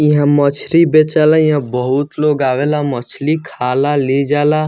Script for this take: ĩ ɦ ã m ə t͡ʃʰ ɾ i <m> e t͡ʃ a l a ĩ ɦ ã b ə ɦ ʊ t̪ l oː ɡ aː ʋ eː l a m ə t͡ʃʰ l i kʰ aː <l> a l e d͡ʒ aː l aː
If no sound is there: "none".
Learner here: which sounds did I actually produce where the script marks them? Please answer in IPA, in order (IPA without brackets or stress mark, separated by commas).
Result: b, l